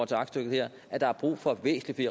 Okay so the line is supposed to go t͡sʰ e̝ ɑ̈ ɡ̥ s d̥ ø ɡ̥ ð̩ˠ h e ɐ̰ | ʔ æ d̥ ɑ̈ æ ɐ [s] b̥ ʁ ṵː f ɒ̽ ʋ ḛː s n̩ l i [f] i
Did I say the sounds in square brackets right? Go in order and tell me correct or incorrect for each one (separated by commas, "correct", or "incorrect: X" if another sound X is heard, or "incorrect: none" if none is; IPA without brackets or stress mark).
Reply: incorrect: none, correct